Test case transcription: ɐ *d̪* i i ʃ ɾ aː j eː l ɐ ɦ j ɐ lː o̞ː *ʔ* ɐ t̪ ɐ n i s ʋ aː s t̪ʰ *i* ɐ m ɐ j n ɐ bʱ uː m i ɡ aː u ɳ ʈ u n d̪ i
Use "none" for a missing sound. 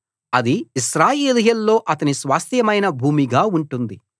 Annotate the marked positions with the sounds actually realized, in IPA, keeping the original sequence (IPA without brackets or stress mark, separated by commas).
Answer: d̪, ʔ, j